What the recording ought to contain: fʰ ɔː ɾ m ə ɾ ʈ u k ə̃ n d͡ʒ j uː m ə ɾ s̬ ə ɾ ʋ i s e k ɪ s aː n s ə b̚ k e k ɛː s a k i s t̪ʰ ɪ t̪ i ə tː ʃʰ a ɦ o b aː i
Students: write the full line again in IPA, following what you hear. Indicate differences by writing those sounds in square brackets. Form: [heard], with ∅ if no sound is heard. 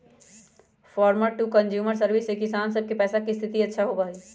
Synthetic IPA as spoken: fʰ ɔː ɾ m ə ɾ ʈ u k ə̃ n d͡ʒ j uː m ə ɾ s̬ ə ɾ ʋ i s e k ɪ s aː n s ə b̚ k e [p] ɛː s a k i s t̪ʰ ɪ t̪ i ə tː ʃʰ a ɦ o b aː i